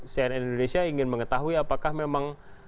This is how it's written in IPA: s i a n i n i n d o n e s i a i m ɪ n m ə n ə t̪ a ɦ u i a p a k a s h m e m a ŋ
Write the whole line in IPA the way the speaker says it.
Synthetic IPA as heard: s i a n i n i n d o n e s i a i ŋ ɪ n m ə ŋ ə t̪ a ɦ u i a p a k a h m e m a ŋ